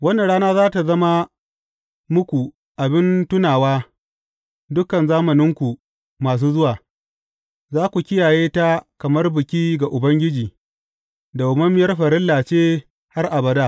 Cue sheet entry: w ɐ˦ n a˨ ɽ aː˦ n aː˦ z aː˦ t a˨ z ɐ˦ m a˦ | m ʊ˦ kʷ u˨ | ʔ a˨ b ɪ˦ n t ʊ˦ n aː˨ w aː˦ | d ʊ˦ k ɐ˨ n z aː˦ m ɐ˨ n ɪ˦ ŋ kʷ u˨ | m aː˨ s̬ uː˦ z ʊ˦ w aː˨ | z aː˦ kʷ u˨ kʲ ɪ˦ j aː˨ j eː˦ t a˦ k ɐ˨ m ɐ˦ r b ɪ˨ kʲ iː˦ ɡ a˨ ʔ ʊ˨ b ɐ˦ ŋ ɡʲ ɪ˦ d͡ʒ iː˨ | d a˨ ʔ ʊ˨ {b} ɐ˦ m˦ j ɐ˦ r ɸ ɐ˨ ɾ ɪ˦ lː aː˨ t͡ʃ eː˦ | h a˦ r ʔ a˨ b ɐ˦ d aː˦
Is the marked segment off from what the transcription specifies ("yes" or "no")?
yes